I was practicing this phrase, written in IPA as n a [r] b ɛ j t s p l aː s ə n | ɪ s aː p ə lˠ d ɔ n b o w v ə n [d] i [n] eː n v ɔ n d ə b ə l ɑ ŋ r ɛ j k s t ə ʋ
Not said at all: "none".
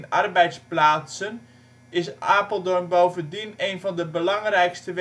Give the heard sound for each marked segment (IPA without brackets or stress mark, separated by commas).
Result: r, d, n